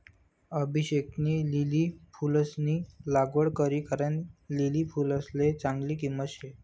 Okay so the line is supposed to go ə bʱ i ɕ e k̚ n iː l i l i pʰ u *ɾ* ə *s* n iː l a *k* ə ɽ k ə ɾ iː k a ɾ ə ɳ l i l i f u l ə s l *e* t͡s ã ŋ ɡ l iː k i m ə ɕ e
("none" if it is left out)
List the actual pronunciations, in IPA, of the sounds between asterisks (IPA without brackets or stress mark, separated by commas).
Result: l, s, ɡ, e